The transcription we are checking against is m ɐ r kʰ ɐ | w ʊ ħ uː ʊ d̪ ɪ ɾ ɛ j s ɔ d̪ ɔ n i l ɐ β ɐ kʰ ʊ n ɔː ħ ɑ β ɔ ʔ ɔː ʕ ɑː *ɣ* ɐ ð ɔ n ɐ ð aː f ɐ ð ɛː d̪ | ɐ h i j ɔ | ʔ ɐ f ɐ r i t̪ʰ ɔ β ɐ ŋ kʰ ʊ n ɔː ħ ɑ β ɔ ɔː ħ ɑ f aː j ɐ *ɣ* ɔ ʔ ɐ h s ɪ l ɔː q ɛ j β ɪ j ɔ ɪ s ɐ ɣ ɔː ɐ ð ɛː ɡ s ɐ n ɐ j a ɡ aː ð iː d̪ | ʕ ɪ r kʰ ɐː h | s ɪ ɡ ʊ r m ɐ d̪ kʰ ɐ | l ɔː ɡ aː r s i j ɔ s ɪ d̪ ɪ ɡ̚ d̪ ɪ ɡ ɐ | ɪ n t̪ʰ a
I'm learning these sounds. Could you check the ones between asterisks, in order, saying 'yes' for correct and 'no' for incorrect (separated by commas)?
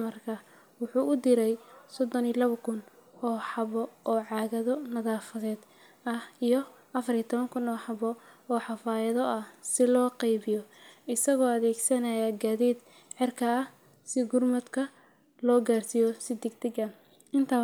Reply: yes, no